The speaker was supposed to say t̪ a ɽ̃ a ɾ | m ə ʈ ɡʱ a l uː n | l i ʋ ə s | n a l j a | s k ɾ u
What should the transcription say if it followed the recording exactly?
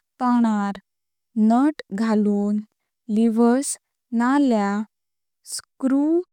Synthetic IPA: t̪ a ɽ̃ a ɾ | n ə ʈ ɡʱ a l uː n | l i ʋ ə s | n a l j a | s k ɾ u